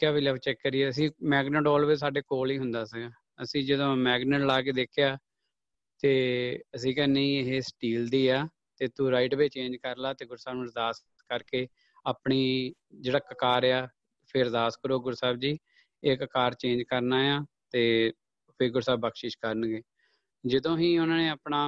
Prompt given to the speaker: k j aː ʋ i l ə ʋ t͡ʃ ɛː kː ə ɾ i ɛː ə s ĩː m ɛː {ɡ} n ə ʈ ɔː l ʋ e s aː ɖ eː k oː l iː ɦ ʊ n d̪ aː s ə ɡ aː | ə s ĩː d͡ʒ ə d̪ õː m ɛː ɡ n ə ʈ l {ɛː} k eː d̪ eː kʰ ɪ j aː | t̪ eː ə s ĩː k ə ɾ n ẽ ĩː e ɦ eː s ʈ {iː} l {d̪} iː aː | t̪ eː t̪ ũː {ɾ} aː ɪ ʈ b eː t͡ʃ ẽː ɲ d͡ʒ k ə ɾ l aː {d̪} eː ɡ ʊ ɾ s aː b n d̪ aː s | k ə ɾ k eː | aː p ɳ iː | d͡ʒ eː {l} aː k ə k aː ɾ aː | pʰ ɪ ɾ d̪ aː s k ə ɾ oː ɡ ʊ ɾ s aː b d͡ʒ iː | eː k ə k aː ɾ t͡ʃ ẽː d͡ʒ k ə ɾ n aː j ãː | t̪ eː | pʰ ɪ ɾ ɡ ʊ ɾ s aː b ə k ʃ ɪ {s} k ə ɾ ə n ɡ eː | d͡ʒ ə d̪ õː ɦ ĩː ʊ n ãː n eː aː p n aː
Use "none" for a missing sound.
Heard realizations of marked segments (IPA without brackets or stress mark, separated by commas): ɡ, aː, iː, d̪, ɾ, t̪, ɽ, ʃ